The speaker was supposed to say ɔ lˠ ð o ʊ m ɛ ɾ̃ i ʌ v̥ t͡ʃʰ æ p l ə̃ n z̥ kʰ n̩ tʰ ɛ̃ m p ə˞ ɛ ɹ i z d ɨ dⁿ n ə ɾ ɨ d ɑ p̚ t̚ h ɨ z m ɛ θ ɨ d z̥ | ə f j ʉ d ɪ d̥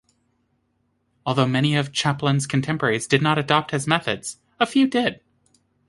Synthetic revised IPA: ɔ lˠ ð o ʊ m ɛ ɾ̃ i ʌ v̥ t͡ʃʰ æ p l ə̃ n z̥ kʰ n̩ tʰ ɛ̃ m p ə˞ ɛ ɹ i z d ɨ dⁿ n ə ɾ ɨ d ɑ p̚ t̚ h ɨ z m ɛ θ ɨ d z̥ | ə f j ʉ d ɪ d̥

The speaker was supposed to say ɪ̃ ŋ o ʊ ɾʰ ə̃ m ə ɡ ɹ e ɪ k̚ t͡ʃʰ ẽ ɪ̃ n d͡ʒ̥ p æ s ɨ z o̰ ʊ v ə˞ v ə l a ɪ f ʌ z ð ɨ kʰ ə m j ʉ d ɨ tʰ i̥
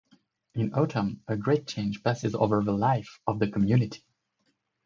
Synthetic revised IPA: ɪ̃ n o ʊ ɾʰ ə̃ m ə ɡ ɹ e ɪ t̚ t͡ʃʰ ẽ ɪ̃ n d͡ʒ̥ p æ s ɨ z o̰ ʊ v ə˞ ð ə l a ɪ f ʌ v ð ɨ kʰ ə m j ʉ n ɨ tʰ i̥

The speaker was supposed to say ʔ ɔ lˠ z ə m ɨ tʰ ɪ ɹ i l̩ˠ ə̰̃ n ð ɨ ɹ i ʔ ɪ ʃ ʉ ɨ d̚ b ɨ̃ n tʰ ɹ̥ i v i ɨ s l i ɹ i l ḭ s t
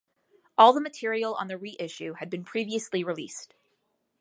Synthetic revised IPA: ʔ ɔ lˠ ð ə m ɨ tʰ ɪ ɹ i l̩ˠ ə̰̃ n ð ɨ ɹ i ʔ ɪ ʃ ʉ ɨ d̚ b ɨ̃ n pʰ ɹ̥ i v i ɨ s l i ɹ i l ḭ s t

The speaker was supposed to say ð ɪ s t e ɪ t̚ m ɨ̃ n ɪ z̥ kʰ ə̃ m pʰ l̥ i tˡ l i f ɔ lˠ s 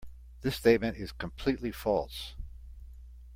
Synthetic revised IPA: ð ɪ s t e ɪ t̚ m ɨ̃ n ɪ z̥ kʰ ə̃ m pʰ l̥ i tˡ l i f ɔ lˠ s

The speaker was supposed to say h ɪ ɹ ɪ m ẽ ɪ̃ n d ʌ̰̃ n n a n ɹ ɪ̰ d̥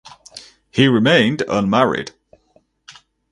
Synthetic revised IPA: h i ɹ ɪ m ẽ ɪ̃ n d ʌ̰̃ n m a ɹ ɪ̰ d̥

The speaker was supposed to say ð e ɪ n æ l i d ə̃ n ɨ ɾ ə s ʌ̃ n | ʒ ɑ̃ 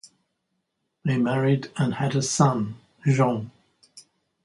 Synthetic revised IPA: ð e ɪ m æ ɹ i d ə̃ n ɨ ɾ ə s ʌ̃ n | ʒ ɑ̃

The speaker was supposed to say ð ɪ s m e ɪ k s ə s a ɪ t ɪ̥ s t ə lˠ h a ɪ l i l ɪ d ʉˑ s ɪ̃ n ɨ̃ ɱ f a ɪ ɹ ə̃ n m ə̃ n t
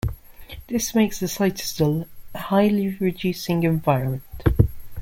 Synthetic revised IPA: ð ɪ s m e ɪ k s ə s a ɪ t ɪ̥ s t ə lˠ h a ɪ l i ɹ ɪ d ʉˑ s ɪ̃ ŋ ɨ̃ ɱ v a ɪ ɹ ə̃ n m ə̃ n t

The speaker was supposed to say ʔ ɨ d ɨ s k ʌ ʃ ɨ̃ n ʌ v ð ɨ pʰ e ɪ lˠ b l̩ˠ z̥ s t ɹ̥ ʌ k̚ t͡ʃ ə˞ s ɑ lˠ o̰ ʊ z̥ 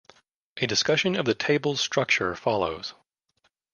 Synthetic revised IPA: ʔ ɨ d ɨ s k ʌ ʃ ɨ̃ n ʌ v ð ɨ tʰ e ɪ b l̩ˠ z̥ s t ɹ̥ ʌ k̚ t͡ʃ ə˞ f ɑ lˠ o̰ ʊ z̥

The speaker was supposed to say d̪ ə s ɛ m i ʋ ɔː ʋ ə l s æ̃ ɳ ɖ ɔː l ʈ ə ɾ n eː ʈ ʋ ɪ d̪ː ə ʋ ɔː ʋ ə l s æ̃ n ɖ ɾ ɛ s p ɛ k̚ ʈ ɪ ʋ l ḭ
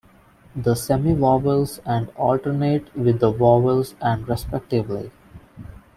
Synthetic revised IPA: d̪ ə s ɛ m i ʋ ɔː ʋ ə l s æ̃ ɳ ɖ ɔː l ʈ ə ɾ n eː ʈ ʋ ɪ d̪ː ə ʋ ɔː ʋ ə l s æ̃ ɳ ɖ ɾ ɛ s p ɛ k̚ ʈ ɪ ʋ l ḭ

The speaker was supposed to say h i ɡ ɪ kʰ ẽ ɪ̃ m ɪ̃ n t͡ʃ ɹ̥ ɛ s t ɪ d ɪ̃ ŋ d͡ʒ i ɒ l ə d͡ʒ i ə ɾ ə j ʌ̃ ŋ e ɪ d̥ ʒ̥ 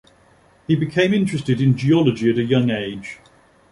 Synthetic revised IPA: h i b ɪ kʰ ẽ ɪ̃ m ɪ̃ n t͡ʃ ɹ̥ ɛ s t ɪ d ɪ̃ n d͡ʒ i ɒ l ə d͡ʒ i ə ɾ ə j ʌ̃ ŋ e ɪ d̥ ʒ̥

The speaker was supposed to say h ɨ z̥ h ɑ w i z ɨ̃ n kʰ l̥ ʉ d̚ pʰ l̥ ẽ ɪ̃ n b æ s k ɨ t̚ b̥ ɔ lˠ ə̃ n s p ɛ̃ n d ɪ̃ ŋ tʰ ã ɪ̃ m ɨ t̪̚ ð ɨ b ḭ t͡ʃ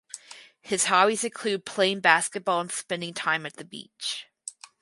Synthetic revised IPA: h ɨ z̥ h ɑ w i z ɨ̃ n kʰ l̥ ʉ d̚ pʰ l̥ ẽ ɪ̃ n b æ s k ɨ t̚ b̥ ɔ lˠ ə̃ n s p ɛ̃ n d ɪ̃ ŋ tʰ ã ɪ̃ m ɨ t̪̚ ð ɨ b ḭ t͡ʃ

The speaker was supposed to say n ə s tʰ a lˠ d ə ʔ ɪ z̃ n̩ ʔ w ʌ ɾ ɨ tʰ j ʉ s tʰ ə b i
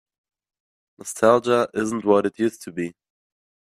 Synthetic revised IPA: n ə s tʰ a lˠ d͡ʒ ə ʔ ɪ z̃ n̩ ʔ w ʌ ɾ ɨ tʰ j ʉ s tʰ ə b i

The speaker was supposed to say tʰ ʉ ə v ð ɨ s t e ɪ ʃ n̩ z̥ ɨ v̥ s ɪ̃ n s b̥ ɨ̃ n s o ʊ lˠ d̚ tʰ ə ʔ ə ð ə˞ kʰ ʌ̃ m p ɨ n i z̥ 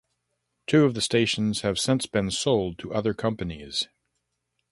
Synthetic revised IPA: tʰ ʉ ʌ v ð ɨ s t e ɪ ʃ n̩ z̥ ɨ v̥ s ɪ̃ n s b̥ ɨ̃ n s o ʊ lˠ d̚ tʰ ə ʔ ʌ ð ə˞ kʰ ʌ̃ m p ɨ n i z̥

